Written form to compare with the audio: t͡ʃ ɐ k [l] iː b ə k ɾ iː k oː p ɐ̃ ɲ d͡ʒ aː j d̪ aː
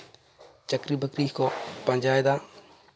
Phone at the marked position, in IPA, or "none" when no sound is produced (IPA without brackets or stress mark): ɾ